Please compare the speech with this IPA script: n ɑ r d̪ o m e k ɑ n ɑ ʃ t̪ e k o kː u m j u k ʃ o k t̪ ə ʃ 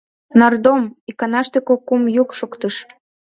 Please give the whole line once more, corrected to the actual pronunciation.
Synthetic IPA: n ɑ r d̪ o m i k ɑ n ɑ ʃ t̪ e k o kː u m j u k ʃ o k t̪ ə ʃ